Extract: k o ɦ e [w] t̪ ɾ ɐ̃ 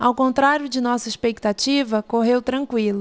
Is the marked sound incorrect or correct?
correct